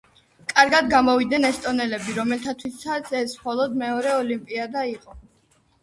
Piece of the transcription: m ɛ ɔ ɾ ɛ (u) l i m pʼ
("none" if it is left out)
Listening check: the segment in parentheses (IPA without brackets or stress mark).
ɔ